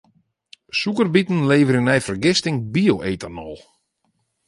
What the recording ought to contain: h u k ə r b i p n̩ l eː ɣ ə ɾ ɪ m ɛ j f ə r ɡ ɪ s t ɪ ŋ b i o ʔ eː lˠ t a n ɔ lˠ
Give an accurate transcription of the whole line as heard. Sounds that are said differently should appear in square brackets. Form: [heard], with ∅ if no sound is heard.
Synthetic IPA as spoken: [s] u k ə r b i [t] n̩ l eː [v] ə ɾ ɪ [n] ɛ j f ə r ɡ ɪ s t ɪ ŋ b i o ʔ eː [∅] t a n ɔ lˠ